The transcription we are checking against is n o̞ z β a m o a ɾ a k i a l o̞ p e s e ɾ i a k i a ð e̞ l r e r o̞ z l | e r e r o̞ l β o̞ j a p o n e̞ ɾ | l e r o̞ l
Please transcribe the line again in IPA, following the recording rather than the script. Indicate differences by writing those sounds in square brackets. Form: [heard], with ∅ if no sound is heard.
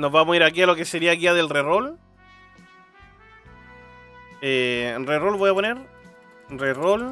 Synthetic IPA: n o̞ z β a m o [i] ɾ a k i a l o̞ [k] e s e ɾ i a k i a ð e̞ l r e r o̞ [∅] l | e r e r o̞ l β o̞ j a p o n e̞ ɾ | [r] e r o̞ l